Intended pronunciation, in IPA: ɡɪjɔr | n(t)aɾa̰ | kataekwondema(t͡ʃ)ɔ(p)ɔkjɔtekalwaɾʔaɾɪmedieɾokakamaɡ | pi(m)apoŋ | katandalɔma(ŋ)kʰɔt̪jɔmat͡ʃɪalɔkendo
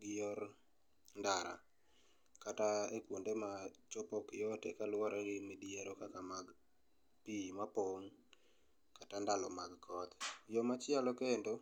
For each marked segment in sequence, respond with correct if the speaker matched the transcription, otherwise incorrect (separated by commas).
incorrect, correct, correct, correct, incorrect